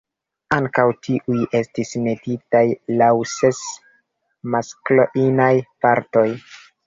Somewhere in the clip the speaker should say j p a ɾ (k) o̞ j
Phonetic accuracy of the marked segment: incorrect: t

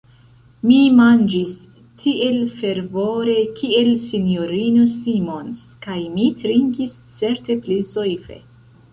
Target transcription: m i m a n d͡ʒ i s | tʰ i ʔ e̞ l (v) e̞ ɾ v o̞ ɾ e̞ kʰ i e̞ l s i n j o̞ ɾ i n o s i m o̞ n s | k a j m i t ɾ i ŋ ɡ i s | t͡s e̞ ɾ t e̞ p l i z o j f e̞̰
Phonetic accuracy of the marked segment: incorrect: f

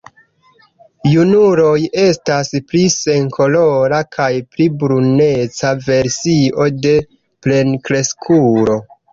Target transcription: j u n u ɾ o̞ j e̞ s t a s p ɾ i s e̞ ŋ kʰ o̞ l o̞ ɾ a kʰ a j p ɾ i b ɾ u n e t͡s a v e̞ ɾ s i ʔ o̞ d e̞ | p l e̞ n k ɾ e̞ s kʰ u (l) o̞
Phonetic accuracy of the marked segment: incorrect: ɾ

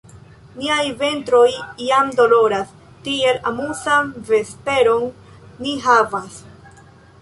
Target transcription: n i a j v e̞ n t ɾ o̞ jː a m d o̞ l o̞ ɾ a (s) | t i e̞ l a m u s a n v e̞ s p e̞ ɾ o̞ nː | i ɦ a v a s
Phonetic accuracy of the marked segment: correct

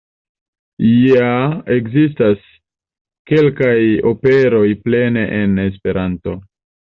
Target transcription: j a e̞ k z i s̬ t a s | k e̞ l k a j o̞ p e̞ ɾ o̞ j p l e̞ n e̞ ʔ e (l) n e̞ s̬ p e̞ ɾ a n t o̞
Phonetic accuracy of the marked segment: incorrect: none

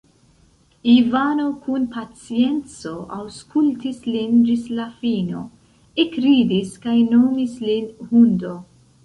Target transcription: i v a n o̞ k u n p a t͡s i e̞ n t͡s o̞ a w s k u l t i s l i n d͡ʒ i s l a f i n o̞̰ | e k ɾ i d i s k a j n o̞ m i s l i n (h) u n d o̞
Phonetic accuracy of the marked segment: correct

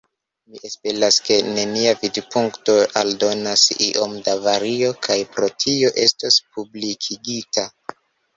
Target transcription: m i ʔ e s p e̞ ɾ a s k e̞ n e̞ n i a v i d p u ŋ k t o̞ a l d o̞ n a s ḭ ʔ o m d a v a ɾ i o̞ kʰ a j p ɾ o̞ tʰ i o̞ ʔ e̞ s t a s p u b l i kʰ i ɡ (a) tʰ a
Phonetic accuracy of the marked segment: incorrect: i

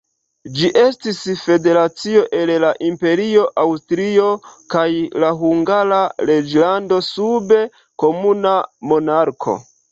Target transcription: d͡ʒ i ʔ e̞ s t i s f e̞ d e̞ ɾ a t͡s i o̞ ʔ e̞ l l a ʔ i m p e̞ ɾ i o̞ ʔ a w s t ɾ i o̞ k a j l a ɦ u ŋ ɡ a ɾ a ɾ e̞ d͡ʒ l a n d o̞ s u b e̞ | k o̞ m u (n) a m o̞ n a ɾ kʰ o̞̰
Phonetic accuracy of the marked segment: correct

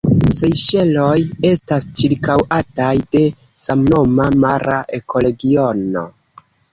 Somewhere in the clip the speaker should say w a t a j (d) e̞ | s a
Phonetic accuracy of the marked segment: correct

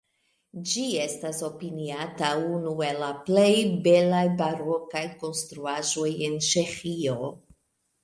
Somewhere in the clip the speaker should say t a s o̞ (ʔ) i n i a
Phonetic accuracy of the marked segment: incorrect: p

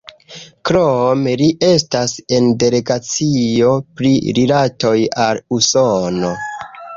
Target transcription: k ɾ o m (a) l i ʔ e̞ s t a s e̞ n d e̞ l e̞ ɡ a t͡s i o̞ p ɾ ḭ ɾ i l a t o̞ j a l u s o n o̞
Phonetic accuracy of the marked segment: incorrect: e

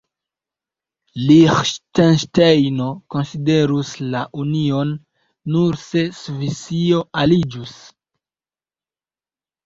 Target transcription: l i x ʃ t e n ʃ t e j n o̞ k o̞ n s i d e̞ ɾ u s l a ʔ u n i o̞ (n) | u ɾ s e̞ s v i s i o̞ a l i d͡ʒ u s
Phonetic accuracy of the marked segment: incorrect: nː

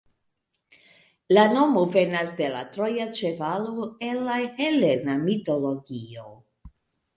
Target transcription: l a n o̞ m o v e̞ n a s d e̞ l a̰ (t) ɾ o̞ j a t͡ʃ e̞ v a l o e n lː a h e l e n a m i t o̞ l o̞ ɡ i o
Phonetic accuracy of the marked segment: correct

